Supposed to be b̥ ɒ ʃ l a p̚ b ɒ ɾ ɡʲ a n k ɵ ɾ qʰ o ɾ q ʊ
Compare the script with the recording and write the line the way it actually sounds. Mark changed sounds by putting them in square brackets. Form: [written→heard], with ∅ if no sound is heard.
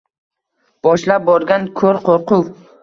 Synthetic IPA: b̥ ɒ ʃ l a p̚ b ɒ ɾ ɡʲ a n [k→kʰ] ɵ ɾ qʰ o ɾ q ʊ